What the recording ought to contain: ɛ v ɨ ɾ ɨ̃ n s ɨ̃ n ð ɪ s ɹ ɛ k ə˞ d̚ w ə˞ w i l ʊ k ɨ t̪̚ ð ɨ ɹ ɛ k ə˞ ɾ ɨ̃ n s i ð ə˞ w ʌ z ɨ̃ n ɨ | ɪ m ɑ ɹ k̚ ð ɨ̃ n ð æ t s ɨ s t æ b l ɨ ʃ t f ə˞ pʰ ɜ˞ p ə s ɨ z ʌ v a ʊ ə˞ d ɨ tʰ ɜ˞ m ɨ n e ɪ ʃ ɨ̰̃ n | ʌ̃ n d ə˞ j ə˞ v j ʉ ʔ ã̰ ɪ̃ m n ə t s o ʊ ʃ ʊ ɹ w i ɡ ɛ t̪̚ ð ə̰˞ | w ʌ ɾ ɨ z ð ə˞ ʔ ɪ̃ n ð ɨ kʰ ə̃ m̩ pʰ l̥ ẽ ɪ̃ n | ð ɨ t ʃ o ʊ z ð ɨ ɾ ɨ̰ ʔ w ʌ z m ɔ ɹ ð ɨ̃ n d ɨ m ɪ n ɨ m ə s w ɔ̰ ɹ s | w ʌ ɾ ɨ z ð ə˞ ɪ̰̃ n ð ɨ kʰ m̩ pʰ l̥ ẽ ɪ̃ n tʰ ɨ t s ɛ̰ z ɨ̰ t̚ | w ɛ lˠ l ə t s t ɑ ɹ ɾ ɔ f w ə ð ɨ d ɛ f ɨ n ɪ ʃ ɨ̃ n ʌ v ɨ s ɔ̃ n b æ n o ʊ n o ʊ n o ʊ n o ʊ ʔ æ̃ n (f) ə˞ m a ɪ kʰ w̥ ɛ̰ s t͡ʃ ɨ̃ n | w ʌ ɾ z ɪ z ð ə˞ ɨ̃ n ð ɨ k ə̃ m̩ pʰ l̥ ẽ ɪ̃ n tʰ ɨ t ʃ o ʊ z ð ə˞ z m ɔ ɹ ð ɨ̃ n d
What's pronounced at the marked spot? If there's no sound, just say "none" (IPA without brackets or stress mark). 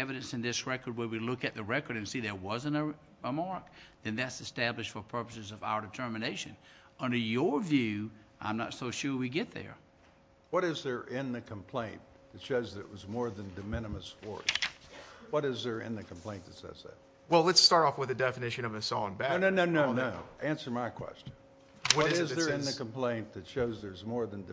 s